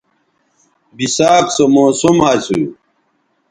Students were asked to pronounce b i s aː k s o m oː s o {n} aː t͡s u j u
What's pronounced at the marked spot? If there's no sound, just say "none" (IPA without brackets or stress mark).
m